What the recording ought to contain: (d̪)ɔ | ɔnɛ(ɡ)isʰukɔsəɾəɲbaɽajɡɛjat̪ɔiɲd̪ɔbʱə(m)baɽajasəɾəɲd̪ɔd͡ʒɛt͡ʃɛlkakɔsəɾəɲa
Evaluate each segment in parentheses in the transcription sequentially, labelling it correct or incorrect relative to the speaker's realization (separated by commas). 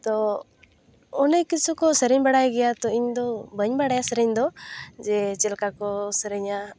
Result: incorrect, incorrect, incorrect